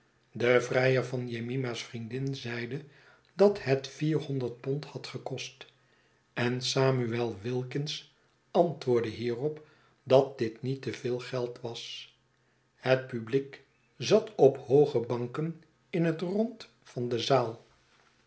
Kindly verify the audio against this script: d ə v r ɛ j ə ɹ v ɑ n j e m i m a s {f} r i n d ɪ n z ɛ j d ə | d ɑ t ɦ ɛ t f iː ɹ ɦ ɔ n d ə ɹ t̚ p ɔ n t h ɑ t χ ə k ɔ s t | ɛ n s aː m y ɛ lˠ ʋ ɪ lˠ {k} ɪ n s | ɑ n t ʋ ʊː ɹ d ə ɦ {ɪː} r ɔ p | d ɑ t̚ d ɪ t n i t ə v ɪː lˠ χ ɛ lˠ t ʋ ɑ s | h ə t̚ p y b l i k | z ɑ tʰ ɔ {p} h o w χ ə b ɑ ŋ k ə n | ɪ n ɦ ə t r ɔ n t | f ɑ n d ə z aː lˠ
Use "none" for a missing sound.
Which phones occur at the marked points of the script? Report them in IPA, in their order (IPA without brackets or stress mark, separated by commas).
f, k, iː, p